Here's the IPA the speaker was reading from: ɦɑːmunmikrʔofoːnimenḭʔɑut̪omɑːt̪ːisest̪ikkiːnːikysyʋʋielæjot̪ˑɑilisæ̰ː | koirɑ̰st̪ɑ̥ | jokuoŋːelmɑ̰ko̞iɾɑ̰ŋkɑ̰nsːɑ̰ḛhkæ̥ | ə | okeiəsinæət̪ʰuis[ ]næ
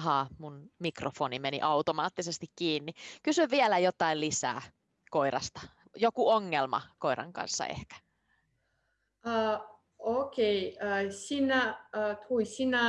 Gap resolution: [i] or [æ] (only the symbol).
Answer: i